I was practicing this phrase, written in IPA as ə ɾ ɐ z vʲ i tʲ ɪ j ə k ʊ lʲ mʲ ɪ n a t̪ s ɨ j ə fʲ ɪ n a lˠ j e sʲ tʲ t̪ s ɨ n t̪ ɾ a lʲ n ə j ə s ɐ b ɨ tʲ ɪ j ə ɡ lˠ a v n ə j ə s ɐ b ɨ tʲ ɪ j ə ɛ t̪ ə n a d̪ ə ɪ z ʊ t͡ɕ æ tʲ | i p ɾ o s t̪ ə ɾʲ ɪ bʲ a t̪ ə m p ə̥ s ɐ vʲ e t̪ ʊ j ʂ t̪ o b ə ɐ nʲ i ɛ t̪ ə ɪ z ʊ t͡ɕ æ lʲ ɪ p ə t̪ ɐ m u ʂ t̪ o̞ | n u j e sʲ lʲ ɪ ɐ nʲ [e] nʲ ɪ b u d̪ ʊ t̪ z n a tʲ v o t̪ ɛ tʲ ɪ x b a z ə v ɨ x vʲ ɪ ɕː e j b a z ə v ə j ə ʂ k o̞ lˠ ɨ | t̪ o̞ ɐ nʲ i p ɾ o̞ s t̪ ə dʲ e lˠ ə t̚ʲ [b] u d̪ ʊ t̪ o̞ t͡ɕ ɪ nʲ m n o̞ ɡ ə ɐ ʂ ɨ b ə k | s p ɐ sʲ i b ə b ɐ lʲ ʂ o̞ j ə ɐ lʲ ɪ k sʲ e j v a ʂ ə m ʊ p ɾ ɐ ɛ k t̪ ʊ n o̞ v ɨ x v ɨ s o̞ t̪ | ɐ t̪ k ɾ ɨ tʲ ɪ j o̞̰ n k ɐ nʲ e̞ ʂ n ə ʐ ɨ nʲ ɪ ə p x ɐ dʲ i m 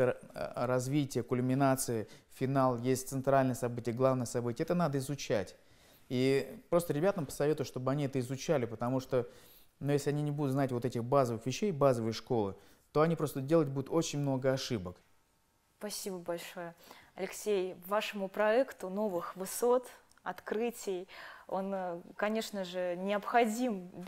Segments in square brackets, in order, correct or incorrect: incorrect: i, correct

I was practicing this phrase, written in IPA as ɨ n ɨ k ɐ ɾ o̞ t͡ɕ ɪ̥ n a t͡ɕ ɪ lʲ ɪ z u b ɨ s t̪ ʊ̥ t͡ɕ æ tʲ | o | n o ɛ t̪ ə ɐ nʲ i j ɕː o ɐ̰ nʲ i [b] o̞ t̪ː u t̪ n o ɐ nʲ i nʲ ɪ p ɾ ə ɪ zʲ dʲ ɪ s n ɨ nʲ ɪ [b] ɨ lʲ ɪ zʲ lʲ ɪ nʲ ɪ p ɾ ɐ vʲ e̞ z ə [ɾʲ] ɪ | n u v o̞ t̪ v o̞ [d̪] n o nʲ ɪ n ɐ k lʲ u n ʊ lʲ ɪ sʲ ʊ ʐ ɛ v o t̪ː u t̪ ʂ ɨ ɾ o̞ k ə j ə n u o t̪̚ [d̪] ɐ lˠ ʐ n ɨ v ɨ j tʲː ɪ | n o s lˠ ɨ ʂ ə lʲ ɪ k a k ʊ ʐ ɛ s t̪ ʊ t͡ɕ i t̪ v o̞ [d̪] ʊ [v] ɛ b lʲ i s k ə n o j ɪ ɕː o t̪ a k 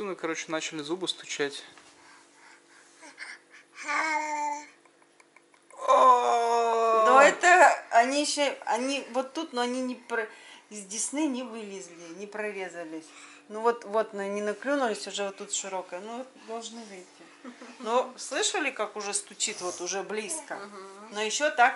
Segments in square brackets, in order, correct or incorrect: incorrect: v, incorrect: v, incorrect: lʲ, incorrect: t̪, correct, incorrect: t̪, incorrect: ʐ

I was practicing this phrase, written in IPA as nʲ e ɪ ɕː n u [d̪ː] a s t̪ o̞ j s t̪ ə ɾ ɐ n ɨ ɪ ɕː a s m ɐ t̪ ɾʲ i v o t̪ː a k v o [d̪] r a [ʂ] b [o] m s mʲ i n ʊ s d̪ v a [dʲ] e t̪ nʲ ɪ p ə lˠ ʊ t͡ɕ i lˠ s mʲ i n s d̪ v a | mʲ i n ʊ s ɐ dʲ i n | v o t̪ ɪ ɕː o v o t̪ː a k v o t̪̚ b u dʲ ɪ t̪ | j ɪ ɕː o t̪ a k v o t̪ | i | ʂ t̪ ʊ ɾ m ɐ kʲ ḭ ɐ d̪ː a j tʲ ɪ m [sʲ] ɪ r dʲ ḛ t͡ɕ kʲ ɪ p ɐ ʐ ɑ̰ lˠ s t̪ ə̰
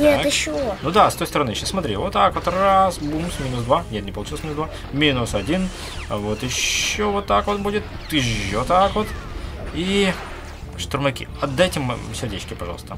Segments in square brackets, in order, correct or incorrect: incorrect: d̪, incorrect: t̪, incorrect: s, incorrect: u, incorrect: nʲ, correct

